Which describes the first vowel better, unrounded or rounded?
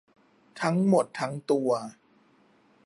unrounded